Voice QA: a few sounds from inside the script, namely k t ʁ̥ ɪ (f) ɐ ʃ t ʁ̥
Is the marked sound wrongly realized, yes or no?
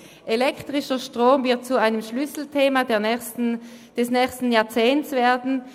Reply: yes